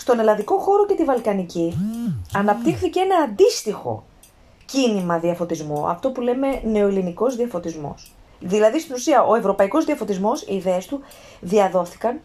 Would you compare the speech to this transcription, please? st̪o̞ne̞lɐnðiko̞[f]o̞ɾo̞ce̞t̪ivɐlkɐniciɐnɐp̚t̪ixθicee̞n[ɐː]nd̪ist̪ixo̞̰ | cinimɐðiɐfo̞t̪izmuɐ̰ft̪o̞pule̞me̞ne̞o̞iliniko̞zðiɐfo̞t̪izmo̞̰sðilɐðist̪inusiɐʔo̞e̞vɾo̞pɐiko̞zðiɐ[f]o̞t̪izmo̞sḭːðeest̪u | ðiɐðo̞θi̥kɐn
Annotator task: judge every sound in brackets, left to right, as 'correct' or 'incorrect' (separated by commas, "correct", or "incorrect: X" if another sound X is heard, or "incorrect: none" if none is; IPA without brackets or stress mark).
incorrect: x, correct, correct